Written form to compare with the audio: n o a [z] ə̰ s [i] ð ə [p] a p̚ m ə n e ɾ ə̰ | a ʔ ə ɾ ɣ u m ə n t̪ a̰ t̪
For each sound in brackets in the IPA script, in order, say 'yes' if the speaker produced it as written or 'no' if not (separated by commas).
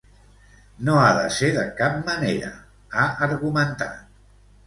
no, no, no